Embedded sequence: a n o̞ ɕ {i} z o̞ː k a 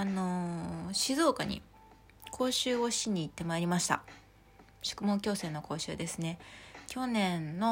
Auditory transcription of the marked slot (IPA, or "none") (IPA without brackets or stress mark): i